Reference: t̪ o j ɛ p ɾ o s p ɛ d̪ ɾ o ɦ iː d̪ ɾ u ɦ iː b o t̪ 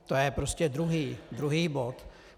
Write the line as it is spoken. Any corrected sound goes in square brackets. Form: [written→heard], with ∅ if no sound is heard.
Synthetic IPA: t̪ o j ɛ p ɾ o s [p→c] ɛ d̪ ɾ [o→u] ɦ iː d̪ ɾ u ɦ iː b o t̪